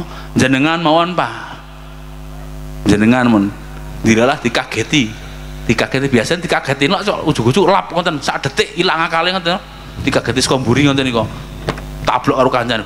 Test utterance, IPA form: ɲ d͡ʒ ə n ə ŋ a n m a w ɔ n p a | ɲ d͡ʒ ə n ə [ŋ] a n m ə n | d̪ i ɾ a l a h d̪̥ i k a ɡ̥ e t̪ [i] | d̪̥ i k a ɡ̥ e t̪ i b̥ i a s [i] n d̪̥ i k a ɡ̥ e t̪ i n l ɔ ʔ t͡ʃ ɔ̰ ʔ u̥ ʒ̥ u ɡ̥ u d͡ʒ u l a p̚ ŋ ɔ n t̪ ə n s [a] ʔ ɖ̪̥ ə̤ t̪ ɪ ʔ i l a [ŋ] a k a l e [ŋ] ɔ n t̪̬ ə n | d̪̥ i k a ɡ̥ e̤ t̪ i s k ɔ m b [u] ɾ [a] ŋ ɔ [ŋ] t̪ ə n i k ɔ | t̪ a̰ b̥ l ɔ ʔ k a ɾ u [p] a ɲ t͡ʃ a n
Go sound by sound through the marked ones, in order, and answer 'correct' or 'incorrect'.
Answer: correct, correct, incorrect: a, correct, correct, correct, correct, incorrect: i, incorrect: n, incorrect: k

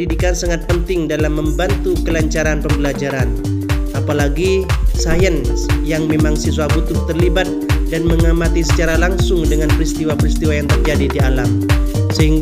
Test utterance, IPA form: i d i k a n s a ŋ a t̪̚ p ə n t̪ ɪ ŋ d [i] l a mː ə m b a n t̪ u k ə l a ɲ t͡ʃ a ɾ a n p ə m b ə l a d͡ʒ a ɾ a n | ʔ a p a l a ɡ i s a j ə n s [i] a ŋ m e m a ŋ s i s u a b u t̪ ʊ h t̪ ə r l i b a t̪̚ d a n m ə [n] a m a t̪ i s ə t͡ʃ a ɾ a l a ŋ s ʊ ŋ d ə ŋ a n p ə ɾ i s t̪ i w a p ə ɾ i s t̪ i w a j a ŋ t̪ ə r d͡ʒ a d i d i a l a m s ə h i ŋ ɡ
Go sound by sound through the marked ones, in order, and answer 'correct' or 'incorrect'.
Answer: incorrect: a, incorrect: j, incorrect: ŋ

